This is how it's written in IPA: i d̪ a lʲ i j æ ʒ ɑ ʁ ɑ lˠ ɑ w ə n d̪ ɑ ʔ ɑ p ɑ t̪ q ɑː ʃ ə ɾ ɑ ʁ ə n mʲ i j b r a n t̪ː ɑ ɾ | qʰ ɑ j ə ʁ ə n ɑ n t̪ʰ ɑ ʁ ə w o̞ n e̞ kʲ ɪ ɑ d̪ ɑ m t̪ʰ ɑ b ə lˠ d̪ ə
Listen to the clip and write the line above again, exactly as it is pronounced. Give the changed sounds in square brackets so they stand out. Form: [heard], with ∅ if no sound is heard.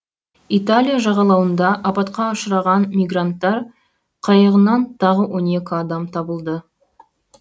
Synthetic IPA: i [t̪] a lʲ i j [a] ʒ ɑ ʁ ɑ lˠ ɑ w ə n d̪ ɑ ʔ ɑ p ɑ t̪ q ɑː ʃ ə ɾ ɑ ʁ [ɑ] n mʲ i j [ɡ] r a n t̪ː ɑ ɾ | qʰ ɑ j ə ʁ ə n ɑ n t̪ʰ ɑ ʁ ə w o̞ n e̞ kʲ ɪ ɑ d̪ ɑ m t̪ʰ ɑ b ə lˠ d̪ ə